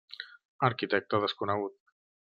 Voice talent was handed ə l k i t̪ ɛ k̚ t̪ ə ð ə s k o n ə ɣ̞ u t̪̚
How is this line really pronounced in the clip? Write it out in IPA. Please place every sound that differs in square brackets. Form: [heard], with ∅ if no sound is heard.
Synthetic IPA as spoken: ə [ɾ] k i t̪ ɛ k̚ t̪ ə ð ə s k [u] n ə ɣ̞ u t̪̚